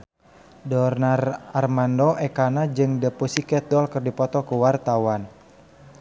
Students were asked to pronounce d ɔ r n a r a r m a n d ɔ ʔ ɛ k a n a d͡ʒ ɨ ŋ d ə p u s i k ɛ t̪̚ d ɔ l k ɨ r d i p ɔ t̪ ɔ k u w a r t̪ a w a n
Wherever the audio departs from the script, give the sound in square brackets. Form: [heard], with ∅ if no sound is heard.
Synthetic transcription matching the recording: d ɔ r n a r a r m a n d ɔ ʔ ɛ k a n a d͡ʒ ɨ ŋ d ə p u s i k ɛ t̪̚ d ɔ l k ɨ r d i p ɔ t̪ ɔ k u w a r t̪ a w a n

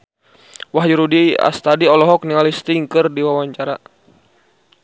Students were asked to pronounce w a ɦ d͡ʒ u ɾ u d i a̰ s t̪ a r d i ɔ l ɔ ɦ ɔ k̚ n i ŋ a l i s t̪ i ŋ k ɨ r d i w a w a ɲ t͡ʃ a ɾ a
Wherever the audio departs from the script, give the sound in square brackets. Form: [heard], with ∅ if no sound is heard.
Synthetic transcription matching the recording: w a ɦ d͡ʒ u ɾ u d i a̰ s t̪ a [∅] d i ɔ l ɔ ɦ ɔ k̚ n i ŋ a l i s t̪ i ŋ k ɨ r d i w a w a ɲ t͡ʃ a ɾ a

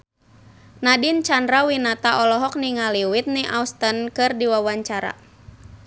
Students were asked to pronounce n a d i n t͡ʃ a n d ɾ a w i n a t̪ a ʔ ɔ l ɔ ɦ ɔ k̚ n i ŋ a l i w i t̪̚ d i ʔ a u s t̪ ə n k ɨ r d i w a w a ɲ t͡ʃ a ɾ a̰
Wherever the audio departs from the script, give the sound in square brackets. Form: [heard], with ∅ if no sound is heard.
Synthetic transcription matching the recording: n a d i n t͡ʃ a n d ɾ a w i n a t̪ a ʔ ɔ l ɔ ɦ ɔ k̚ n i ŋ a l i w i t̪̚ [n] i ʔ a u s t̪ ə n k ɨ r d i w a w a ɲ t͡ʃ a ɾ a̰

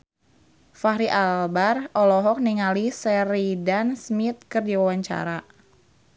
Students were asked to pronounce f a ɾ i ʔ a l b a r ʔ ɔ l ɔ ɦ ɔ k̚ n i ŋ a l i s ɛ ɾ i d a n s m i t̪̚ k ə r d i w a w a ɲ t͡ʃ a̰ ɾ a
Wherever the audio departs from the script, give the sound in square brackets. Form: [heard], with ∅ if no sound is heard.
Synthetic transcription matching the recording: f a ɾ i ʔ a l b a r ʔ ɔ l ɔ ɦ ɔ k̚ n i ŋ a l i s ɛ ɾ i d a n s m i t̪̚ k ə r d i w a w a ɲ t͡ʃ a̰ ɾ a

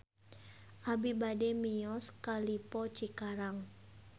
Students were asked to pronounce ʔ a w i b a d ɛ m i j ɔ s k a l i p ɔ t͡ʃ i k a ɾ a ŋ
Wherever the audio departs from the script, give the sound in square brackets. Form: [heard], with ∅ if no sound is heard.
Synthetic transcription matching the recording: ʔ a [b] i b a d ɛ m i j ɔ s k a l i p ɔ t͡ʃ i k a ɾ a ŋ

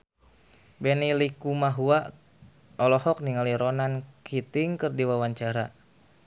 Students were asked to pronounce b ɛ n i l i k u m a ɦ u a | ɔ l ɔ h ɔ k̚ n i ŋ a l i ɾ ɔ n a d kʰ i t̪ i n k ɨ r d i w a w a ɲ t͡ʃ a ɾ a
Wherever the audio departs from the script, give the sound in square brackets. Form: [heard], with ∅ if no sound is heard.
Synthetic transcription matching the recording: b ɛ n i l i k u m a ɦ u a | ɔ l ɔ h ɔ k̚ n i ŋ a l i ɾ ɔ n a [n] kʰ i t̪ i [ŋ] k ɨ r d i w a w a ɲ t͡ʃ a ɾ a

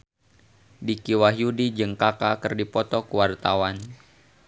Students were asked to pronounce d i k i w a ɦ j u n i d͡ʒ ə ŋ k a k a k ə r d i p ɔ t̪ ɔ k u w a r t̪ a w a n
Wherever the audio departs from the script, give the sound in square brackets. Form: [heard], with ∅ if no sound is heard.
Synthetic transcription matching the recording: d i k i w a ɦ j u [d] i d͡ʒ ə ŋ k a k a k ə r d i p ɔ t̪ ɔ k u w a r t̪ a w a n

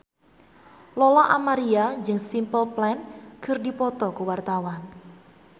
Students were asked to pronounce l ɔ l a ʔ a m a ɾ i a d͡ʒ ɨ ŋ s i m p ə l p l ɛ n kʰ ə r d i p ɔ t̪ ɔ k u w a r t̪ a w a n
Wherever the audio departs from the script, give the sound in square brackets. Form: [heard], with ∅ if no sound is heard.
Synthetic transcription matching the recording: l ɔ l a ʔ a m a ɾ i a d͡ʒ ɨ ŋ s i m p ə l p l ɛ n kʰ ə r d i p ɔ t̪ ɔ k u w a r t̪ a w a n

